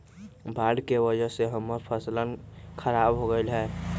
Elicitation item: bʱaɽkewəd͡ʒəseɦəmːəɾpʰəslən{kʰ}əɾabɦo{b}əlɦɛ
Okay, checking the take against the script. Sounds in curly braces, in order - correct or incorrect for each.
correct, incorrect: ɡ

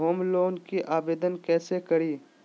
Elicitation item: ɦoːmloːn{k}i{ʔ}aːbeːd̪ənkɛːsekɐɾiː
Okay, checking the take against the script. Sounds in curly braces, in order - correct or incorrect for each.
correct, correct

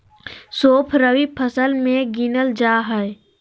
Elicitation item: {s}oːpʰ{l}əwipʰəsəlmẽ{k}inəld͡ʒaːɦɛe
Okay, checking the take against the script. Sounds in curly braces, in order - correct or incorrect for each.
correct, incorrect: ɾ, incorrect: ɡ

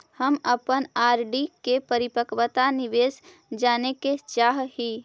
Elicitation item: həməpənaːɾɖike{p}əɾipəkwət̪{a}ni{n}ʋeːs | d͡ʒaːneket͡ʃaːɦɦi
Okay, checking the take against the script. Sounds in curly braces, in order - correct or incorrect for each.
correct, correct, incorrect: none

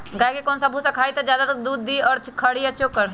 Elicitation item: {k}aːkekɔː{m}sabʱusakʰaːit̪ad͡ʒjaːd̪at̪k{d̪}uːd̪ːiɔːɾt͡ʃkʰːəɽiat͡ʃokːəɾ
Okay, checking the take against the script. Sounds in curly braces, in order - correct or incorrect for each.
incorrect: ɡ, incorrect: n, correct

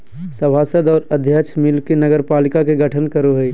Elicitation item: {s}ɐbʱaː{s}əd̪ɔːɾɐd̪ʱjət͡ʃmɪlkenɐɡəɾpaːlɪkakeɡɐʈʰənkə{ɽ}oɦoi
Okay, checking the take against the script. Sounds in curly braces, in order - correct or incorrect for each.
correct, correct, incorrect: ɾ

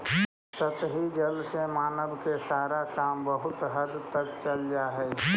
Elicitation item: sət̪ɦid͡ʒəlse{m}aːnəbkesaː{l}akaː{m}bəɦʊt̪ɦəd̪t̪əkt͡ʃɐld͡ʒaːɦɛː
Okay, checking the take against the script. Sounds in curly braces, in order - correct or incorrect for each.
correct, incorrect: ɾ, correct

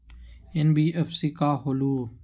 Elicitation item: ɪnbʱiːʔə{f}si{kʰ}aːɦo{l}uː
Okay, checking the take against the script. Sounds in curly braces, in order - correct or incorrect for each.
correct, incorrect: k, correct

